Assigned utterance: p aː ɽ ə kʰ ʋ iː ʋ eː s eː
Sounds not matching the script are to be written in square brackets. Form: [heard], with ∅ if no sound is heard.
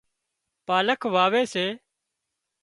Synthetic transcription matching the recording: p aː [l] ə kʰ ʋ [aː] ʋ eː s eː